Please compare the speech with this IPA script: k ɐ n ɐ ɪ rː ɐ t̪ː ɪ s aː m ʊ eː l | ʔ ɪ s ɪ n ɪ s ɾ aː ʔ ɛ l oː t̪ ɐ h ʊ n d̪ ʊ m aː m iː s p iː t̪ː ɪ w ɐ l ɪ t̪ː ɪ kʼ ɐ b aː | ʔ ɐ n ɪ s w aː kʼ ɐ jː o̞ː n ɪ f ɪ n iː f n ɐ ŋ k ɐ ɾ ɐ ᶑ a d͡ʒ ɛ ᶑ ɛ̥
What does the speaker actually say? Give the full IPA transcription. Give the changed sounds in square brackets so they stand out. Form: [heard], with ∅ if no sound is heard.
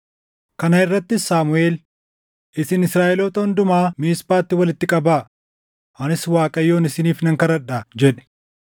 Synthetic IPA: k ɐ n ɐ ɪ rː ɐ t̪ː ɪ s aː m ʊ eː l | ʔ ɪ s ɪ n ɪ s ɾ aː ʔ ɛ l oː t̪ ɐ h ʊ n d̪ ʊ m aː m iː s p [aː] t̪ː ɪ w ɐ l ɪ t̪ː ɪ kʼ ɐ b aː | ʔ ɐ n ɪ s w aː kʼ ɐ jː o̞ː n ɪ [s] ɪ n iː f n ɐ ŋ k ɐ ɾ ɐ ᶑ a d͡ʒ ɛ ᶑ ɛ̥